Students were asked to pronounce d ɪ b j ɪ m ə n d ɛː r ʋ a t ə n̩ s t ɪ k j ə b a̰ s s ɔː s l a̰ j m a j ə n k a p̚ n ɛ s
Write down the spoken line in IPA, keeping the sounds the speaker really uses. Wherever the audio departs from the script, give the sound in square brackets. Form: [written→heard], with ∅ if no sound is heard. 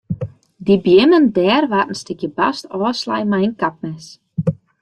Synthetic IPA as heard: d [ɪ→i] b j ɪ m ə n d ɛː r ʋ a t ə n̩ s t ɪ k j ə b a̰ s [s→t] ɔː s l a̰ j m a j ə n k a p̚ [n→m] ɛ s